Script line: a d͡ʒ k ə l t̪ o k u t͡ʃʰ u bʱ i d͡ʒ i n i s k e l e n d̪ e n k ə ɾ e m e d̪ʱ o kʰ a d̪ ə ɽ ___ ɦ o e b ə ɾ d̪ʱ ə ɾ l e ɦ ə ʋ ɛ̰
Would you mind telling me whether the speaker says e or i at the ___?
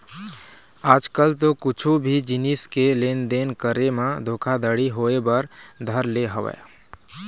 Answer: i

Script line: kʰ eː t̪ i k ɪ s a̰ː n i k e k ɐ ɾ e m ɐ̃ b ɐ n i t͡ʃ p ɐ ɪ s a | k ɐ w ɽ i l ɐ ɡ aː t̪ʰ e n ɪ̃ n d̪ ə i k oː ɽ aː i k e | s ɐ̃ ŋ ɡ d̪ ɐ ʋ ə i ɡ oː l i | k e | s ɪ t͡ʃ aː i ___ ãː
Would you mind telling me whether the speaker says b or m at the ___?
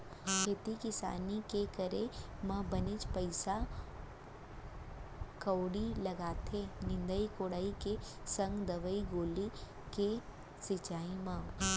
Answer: m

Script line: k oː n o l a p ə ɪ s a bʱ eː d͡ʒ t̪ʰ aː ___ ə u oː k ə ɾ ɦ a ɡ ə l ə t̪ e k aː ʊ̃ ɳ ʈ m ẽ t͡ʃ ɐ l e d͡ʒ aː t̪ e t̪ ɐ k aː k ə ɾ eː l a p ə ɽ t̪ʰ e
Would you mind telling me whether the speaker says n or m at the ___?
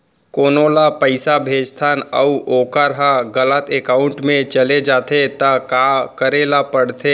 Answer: n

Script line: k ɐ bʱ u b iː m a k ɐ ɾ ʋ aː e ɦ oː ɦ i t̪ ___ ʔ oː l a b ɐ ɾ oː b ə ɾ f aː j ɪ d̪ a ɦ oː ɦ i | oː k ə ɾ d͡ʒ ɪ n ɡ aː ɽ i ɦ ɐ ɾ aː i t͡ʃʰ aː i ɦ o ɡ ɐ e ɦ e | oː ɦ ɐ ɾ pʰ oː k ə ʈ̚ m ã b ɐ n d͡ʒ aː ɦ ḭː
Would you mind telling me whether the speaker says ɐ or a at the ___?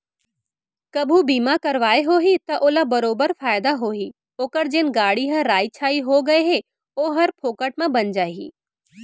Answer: ɐ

